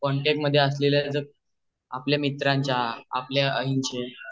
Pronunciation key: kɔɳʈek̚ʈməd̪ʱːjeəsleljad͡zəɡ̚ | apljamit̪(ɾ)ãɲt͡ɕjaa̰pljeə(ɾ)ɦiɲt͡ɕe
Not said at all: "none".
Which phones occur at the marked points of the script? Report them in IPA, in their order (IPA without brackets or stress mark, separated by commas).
ɾ, none